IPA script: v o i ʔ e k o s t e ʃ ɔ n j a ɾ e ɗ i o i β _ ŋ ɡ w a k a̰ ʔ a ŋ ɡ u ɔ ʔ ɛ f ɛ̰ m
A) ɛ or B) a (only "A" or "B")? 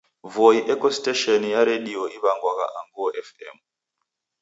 B